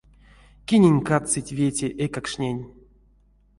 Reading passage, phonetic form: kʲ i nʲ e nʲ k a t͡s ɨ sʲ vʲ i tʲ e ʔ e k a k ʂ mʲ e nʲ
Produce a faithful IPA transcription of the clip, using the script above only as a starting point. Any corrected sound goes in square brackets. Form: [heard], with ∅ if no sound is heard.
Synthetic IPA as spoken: kʲ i nʲ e nʲ k a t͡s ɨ [tʲ] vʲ [e] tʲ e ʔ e k a k ʂ [nʲ] e nʲ